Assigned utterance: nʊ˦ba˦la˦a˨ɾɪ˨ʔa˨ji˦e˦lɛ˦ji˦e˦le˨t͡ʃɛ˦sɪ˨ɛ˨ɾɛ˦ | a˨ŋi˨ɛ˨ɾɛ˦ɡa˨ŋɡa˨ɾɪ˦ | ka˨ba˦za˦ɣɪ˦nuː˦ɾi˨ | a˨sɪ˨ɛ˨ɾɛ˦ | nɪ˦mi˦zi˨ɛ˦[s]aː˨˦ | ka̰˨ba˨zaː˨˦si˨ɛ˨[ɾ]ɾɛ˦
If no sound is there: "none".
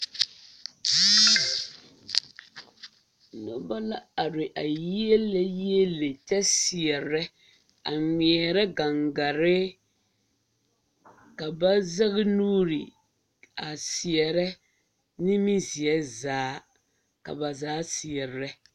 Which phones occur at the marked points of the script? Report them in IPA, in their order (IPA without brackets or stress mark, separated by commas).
z, ɾ